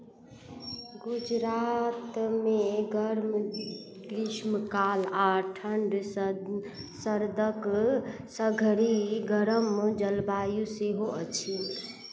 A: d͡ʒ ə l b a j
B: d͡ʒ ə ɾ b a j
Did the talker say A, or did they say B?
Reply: A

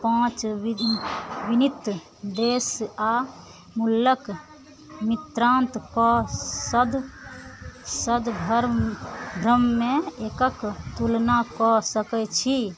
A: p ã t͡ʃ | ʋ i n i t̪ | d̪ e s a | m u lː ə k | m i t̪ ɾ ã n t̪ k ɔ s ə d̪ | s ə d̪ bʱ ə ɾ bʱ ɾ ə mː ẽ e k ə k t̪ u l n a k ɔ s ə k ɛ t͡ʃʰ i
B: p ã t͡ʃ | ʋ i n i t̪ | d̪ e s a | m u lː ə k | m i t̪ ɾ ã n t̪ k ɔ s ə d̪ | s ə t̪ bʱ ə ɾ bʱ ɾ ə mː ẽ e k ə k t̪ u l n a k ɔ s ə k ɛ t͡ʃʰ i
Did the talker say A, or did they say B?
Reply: A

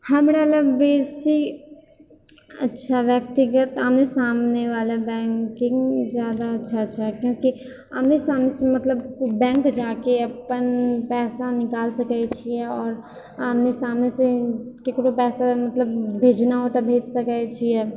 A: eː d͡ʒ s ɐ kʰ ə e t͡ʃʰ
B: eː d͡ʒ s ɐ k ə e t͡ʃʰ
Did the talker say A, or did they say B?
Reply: B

